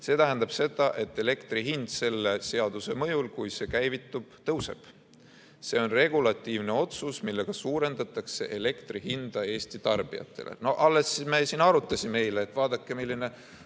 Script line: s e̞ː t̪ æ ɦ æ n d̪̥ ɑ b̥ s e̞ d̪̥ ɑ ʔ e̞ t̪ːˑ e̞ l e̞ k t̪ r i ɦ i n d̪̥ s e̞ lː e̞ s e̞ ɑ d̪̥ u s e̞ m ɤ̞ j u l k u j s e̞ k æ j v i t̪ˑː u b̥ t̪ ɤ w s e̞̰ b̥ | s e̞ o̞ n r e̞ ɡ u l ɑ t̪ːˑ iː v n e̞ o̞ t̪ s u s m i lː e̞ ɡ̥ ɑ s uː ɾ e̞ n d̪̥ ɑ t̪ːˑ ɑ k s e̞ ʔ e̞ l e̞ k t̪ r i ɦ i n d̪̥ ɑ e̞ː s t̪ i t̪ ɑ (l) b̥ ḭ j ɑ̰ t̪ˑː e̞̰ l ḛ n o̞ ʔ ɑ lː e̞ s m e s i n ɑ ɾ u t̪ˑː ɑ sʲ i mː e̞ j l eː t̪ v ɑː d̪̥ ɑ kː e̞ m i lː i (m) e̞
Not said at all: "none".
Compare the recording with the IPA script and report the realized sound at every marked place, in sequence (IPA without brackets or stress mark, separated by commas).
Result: r, n